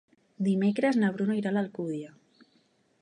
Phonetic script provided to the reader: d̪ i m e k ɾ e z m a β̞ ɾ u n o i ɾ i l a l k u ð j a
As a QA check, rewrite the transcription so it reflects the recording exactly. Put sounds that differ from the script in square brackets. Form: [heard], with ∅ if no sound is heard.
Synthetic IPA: d̪ i m e k ɾ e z [n] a β̞ ɾ u n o i ɾ [a] l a l k u ð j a